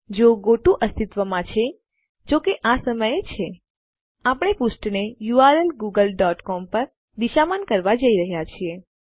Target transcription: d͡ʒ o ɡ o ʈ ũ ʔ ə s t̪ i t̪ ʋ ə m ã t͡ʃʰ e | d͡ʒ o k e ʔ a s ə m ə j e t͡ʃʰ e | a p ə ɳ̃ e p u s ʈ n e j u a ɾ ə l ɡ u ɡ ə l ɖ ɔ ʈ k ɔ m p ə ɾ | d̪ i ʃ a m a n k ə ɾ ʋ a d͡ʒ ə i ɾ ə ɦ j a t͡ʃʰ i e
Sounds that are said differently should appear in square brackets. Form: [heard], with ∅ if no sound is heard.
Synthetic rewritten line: d͡ʒ o ɡ o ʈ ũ ʔ ə s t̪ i t̪ ʋ ə m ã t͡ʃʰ e | d͡ʒ o k e ʔ a s ə m ə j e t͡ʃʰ e | a p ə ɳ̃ e p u s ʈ n e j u a ɾ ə l ɡ u ɡ ə l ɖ ɔ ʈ k ɔ m p ə ɾ | d̪ i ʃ a m a n k ə ɾ ʋ a d͡ʒ ə i ɾ ə ɦ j a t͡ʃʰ i e